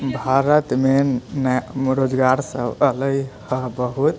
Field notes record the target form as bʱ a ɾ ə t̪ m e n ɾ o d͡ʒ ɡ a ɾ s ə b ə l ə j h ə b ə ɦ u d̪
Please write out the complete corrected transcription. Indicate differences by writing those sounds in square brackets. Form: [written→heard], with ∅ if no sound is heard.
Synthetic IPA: bʱ a ɾ ə t̪ m e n ɾ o d͡ʒ ɡ a ɾ s ə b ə l ə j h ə b ə ɦ u [d̪→t̪]